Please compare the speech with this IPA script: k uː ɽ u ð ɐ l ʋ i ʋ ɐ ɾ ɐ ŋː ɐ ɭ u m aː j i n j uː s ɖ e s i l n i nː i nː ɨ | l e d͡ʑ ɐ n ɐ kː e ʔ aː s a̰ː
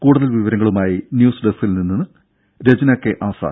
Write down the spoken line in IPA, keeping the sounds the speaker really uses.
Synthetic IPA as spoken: k uː ɽ u ð ɐ l ʋ i ʋ ɐ ɾ ɐ ŋː ɐ ɭ u m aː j i n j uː s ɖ e s i l n i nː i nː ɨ | ɾ e d͡ʑ ɐ n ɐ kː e ʔ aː s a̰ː